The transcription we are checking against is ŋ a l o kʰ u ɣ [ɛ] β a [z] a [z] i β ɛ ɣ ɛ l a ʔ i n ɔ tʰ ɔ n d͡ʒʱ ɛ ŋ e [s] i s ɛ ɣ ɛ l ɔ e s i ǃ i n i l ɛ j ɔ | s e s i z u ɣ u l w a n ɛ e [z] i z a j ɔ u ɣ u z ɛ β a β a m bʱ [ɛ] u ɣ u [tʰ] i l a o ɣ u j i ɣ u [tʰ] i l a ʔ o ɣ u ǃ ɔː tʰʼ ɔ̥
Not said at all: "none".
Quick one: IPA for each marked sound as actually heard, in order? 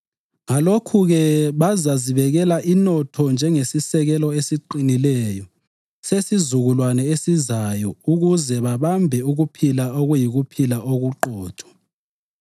ɛ, z, z, s, s, ɛ, pʰ, pʰ

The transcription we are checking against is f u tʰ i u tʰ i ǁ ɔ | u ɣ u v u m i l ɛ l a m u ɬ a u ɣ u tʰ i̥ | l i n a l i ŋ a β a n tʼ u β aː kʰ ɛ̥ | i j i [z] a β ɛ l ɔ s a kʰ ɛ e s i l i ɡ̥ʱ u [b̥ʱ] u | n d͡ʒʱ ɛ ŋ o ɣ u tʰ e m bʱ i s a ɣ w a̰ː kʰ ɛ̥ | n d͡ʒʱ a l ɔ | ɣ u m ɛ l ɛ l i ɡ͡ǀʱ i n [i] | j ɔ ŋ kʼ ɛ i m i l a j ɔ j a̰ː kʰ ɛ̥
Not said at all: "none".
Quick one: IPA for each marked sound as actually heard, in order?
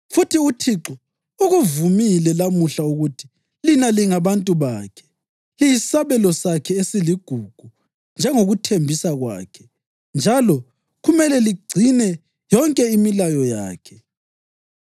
s, ɡ̥ʱ, ɛ

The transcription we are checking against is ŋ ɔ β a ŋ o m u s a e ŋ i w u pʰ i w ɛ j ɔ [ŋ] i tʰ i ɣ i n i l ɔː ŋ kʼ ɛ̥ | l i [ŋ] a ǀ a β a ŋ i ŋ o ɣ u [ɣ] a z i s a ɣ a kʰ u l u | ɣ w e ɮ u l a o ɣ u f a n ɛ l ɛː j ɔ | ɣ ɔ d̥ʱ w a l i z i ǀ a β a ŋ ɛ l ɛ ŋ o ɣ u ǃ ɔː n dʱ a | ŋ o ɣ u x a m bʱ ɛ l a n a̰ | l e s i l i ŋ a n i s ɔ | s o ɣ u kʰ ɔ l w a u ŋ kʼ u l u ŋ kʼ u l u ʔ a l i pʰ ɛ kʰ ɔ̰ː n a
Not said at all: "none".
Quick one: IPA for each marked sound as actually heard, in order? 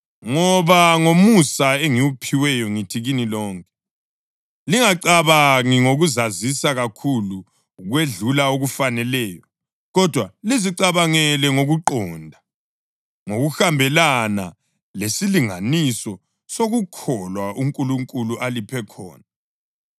ŋ, ŋ, z

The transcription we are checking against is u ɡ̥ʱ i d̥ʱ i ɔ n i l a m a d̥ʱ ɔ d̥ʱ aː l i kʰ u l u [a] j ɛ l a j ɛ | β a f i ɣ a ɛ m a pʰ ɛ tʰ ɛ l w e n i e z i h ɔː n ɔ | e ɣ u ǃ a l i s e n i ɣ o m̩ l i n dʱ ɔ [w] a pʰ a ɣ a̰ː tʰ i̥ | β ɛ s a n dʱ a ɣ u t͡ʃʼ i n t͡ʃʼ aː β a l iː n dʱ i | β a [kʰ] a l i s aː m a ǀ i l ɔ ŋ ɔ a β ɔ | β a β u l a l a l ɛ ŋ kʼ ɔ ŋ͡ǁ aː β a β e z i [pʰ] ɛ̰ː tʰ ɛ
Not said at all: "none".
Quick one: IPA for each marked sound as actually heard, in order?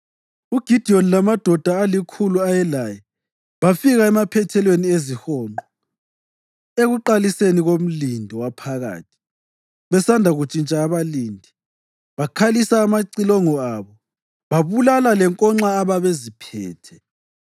a, w, kʰ, pʰ

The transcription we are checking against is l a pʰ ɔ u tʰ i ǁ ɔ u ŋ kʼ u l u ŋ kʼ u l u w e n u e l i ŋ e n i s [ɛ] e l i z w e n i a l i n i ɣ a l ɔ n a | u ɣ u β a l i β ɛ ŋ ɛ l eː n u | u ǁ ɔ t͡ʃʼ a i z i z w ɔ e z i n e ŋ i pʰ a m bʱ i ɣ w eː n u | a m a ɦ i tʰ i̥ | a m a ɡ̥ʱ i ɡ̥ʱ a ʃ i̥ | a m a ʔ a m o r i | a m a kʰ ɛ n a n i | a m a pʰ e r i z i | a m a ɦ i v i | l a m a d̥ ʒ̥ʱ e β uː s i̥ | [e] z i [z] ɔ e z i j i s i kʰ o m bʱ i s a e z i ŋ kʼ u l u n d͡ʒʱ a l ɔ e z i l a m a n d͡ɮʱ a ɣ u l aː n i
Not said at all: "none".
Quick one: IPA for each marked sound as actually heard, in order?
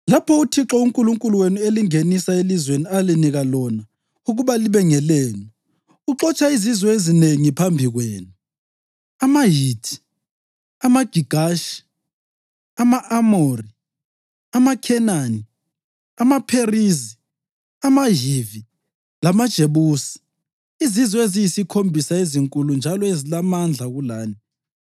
a, i, z

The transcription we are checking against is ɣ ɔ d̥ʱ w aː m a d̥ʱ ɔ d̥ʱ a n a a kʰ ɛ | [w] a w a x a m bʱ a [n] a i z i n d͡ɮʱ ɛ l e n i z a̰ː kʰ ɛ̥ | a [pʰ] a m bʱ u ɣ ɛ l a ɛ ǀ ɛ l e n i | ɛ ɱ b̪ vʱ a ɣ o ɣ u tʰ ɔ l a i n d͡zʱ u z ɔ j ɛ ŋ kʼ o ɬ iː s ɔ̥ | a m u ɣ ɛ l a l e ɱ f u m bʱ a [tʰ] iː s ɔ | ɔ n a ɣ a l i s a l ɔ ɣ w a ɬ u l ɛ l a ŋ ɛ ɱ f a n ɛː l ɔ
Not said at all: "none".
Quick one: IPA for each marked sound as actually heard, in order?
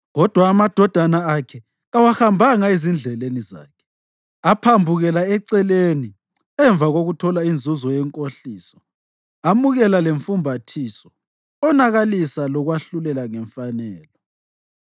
ɣ, ŋ, pʰ, tʰ

